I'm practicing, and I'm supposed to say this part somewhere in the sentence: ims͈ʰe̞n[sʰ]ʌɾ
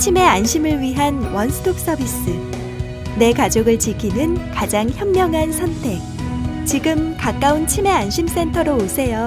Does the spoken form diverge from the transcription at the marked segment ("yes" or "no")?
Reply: yes